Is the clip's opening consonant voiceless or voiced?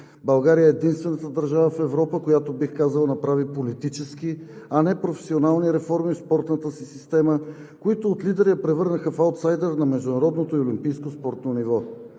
voiced